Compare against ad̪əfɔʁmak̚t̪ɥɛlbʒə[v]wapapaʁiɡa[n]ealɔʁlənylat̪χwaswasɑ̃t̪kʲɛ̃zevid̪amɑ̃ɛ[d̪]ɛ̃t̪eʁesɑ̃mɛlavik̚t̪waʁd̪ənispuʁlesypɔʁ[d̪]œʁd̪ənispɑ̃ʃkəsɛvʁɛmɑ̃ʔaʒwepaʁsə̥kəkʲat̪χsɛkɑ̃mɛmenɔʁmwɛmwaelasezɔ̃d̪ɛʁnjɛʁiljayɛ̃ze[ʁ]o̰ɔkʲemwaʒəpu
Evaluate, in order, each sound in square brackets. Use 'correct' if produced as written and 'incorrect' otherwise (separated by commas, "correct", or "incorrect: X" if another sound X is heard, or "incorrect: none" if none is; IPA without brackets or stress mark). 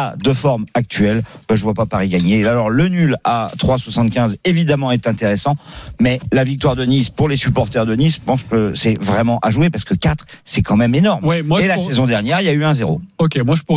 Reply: correct, incorrect: ɲ, incorrect: t̪, incorrect: t̪, correct